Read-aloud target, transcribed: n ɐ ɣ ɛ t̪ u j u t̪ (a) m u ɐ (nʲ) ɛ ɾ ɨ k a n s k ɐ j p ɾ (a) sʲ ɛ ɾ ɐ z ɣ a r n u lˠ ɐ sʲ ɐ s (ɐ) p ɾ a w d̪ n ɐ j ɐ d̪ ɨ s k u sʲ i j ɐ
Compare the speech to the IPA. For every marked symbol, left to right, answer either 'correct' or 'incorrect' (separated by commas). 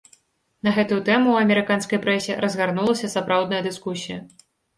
incorrect, incorrect, incorrect, incorrect